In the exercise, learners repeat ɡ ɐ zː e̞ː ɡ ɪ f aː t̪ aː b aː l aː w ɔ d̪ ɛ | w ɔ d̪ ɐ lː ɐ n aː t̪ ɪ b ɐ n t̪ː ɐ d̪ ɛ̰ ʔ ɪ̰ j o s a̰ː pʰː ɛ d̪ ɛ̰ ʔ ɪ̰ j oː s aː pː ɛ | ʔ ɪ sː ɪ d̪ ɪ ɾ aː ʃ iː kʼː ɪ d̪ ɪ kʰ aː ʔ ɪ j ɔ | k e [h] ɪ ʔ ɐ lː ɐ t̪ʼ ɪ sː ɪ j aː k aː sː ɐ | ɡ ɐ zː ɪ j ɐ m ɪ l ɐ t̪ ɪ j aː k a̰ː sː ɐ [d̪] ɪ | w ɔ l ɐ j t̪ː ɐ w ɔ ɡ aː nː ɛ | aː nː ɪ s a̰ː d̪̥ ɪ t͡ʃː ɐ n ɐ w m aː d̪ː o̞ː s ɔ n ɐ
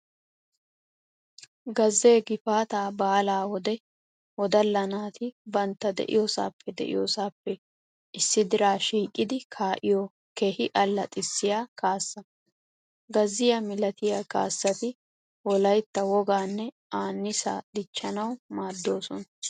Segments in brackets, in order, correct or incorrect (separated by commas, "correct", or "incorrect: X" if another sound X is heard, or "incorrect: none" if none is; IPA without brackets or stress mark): correct, incorrect: t̪